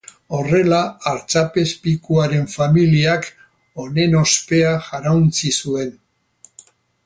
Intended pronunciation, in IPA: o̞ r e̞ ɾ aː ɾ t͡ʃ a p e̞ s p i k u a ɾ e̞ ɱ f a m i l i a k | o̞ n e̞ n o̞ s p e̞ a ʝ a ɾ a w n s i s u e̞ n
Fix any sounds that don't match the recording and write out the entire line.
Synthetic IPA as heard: o̞ r e̞ l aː ɾ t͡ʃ a p e̞ s p i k u a ɾ e̞ ɱ f a m i l i a k | o̞ n e̞ n o̞ s p e̞ a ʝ a ɾ a w n t͡s i s u e̞ n